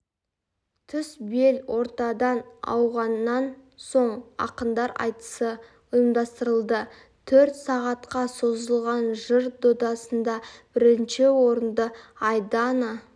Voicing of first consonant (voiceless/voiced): voiceless